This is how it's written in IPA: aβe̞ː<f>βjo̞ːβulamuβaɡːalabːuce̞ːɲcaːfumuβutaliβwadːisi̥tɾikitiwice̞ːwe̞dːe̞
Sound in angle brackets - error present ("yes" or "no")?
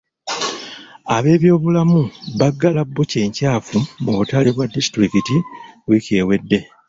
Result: yes